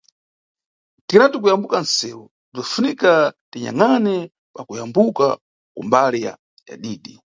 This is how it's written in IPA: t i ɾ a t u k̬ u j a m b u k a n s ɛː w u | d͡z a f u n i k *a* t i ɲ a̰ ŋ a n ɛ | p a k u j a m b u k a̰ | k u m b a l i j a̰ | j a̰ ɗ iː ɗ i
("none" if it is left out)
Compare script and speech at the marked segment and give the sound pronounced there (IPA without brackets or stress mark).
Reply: a